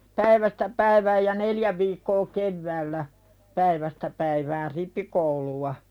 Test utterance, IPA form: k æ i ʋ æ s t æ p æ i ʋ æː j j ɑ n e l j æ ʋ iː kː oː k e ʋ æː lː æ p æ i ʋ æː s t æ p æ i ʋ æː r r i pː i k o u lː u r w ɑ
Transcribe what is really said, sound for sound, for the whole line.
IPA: p æ i ʋ æ s t æ p æ i ʋ æː j j ɑ n e l j æ ʋ iː kː oː k e ʋː æː lː æ p æ i ʋ æ s t æ p æ i ʋ æː r r i pː i k o u l u w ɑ